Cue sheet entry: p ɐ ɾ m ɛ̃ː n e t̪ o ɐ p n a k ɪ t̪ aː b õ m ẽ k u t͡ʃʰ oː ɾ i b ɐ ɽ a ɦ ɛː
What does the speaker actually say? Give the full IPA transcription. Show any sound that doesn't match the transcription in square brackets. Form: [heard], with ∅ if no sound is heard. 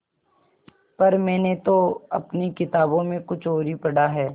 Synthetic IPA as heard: p ɐ ɾ m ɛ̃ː n e t̪ o ɐ p n [i] k ɪ t̪ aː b õ m ẽ k [ʊ] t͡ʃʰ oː ɾ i [p] ɐ ɽ a ɦ ɛː